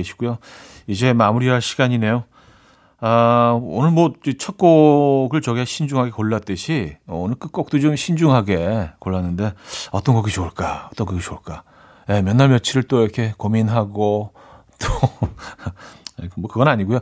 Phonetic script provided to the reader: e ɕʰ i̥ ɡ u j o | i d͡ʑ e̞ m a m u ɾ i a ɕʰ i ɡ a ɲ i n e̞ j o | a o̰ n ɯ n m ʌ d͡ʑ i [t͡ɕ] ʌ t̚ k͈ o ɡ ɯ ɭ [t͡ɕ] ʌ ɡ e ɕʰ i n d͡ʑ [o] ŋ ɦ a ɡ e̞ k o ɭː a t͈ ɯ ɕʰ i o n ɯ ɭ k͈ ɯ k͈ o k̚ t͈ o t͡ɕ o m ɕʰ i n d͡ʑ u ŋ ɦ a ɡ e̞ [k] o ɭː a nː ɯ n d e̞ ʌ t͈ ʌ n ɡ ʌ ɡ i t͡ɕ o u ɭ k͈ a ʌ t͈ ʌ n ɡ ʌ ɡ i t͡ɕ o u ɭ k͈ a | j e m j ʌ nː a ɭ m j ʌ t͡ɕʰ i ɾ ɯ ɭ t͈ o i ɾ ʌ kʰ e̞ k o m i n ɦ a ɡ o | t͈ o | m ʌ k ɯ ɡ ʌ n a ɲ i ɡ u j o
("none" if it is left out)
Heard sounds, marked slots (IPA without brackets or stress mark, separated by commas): t͡ɕʰ, t͡ɕ, u, k